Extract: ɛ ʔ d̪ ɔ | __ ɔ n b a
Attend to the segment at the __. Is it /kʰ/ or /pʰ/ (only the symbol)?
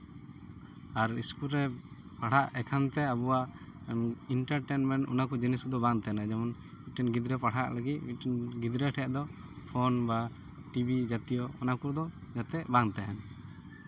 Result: pʰ